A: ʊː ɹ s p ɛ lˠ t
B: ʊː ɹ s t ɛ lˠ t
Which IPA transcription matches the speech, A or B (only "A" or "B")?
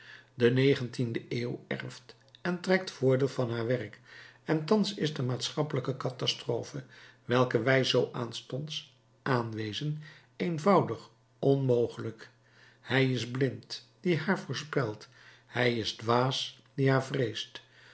A